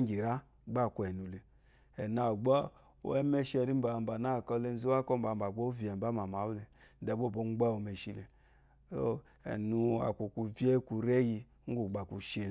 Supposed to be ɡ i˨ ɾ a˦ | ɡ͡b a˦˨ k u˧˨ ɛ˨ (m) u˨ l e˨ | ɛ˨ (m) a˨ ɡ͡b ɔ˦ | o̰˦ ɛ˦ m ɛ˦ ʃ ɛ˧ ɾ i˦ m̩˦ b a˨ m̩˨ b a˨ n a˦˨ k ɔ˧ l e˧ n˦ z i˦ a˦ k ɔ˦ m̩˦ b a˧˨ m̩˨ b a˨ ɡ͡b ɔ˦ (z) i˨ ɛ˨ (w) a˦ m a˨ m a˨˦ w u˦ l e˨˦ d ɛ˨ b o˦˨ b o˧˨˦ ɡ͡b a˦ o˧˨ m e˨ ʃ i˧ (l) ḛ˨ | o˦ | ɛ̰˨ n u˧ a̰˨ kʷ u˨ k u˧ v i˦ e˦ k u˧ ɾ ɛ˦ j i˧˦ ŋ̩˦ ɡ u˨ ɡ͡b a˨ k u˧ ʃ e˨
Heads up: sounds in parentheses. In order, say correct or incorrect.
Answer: incorrect: n, incorrect: n, incorrect: v, incorrect: b, correct

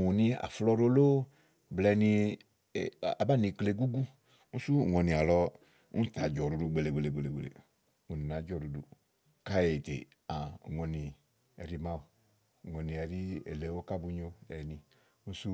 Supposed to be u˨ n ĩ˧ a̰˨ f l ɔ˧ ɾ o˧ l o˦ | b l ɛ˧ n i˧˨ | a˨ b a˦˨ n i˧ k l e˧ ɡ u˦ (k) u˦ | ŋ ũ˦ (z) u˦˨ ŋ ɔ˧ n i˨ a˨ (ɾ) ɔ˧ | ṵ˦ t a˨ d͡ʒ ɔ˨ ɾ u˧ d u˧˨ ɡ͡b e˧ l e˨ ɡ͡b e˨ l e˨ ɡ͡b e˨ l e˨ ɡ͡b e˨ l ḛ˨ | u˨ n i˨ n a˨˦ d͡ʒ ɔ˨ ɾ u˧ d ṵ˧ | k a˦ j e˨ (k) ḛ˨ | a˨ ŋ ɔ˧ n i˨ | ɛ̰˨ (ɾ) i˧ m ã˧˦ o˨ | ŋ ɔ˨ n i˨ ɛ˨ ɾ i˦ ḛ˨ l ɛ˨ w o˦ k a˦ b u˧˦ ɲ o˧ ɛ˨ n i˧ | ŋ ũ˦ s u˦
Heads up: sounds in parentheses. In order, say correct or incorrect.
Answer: incorrect: ɡ, incorrect: s, incorrect: l, incorrect: t, correct

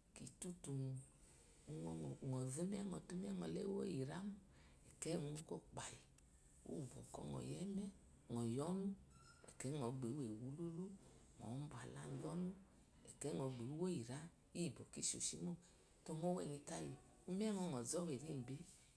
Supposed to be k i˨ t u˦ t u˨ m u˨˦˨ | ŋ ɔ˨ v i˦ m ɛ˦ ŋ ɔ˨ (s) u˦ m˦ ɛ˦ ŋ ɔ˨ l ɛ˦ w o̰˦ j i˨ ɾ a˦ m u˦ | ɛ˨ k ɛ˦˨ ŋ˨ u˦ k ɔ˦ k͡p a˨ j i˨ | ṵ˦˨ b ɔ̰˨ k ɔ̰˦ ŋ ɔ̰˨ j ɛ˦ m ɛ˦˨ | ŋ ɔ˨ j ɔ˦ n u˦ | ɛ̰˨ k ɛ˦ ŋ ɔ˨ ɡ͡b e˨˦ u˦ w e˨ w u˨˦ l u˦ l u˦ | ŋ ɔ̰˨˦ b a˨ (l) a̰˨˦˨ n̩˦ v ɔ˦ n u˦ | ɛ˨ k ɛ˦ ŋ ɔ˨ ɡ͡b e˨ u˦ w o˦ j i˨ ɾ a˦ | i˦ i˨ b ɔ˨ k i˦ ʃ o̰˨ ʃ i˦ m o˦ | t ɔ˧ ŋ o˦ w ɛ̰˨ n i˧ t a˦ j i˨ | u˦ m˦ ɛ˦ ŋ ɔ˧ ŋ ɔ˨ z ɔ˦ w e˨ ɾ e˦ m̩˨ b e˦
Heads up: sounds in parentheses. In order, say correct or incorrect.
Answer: incorrect: t, correct

